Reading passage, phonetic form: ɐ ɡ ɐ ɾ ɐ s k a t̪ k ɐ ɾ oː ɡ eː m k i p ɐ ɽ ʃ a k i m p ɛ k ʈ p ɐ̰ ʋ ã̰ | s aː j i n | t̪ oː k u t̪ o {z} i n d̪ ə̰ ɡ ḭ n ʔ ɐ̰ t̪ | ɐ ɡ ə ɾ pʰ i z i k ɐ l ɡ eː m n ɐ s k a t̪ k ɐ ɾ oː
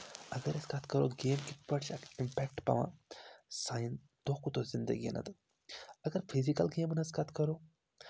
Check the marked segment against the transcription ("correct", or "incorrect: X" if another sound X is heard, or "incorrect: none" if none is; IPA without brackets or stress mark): correct